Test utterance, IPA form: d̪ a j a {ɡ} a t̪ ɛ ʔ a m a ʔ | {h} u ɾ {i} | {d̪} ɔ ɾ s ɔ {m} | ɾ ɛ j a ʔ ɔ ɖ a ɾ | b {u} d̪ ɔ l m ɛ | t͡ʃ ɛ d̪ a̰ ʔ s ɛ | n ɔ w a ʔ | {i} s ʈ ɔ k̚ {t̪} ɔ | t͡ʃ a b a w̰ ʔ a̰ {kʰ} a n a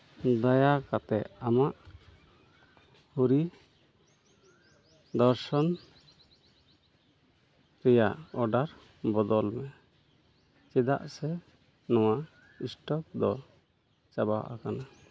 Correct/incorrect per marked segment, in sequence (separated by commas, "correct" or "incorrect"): incorrect, correct, correct, correct, incorrect, incorrect, correct, incorrect, incorrect